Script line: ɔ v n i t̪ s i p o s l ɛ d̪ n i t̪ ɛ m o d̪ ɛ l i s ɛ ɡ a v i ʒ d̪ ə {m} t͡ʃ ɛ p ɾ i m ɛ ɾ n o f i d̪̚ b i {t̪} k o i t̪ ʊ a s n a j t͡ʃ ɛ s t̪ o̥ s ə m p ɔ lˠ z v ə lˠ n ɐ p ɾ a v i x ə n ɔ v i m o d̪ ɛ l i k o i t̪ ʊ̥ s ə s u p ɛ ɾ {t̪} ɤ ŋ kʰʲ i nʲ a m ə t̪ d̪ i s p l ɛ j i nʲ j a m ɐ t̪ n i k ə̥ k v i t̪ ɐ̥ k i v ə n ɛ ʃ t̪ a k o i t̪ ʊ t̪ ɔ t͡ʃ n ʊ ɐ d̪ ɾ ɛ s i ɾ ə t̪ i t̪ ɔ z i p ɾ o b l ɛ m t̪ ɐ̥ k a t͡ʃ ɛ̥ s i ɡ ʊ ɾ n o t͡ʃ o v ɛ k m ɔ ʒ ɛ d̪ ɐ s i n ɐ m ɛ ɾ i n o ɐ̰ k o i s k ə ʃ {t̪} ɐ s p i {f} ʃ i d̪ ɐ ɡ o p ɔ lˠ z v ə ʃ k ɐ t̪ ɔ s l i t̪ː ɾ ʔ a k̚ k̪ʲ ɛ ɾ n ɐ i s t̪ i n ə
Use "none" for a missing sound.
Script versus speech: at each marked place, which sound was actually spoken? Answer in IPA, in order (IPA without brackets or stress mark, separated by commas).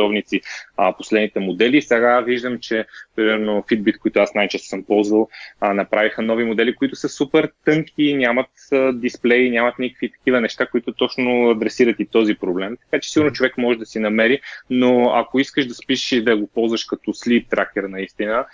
m, t̪, t̪, d̪, ʃ